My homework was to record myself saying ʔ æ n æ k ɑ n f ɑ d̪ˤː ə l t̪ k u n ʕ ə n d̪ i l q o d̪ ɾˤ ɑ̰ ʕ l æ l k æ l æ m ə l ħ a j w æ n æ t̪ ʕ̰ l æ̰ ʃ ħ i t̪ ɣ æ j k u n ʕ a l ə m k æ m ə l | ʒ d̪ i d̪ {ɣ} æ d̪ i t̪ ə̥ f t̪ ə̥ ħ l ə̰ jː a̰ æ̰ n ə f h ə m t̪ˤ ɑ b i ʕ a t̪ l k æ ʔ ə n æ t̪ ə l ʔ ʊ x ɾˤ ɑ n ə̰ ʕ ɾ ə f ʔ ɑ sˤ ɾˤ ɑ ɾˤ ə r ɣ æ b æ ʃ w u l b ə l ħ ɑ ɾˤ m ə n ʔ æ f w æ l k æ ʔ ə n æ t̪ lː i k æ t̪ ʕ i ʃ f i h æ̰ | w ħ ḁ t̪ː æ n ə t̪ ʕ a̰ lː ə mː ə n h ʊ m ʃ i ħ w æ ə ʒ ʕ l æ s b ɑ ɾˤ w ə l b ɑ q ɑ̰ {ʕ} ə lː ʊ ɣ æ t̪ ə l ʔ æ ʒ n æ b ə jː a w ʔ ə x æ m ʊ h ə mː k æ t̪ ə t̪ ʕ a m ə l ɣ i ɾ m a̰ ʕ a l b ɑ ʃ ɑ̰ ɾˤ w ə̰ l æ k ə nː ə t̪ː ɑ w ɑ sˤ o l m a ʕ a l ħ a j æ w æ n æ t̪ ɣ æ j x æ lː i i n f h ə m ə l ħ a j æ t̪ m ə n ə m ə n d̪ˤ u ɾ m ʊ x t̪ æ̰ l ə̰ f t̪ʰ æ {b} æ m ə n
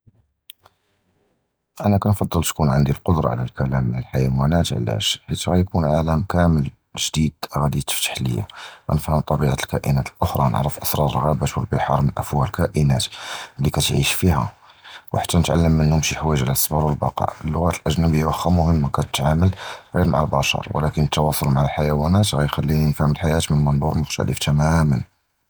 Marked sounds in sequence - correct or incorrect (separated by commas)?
correct, correct, incorrect